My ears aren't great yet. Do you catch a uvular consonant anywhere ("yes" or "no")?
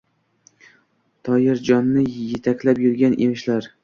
no